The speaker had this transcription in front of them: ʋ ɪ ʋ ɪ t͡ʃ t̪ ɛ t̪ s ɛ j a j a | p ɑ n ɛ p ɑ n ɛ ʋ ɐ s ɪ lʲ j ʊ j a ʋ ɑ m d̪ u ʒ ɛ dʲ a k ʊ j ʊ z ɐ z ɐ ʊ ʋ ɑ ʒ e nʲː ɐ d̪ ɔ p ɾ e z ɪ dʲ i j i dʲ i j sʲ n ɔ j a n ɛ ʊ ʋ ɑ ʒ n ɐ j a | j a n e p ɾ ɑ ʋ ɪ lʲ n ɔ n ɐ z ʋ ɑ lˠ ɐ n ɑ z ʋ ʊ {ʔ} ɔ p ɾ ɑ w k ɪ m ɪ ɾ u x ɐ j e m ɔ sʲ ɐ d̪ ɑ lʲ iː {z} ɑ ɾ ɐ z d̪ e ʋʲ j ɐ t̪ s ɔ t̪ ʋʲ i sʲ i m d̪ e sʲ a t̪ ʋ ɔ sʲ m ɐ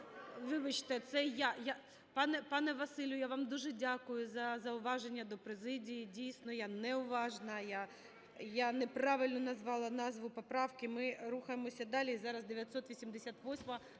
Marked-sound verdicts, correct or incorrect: incorrect, correct

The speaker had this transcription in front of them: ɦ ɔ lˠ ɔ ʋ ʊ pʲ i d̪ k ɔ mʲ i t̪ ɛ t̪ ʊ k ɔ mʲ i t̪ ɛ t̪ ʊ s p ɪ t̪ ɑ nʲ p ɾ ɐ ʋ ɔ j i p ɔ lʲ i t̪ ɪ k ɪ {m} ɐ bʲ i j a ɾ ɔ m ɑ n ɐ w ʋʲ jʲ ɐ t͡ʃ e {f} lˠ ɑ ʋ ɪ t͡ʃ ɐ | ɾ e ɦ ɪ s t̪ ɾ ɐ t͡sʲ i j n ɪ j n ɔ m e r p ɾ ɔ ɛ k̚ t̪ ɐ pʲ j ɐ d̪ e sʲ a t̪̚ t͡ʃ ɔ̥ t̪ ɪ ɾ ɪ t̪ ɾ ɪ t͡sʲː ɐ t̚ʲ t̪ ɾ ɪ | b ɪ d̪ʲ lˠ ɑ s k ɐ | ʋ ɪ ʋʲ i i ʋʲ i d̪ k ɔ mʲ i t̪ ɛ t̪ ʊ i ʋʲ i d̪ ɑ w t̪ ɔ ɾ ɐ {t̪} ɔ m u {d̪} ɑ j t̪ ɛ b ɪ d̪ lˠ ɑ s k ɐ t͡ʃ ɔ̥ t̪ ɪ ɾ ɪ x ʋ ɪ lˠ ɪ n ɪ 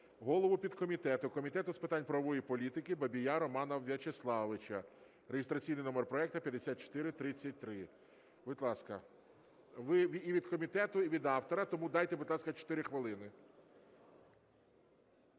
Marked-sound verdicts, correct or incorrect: incorrect, incorrect, correct, correct

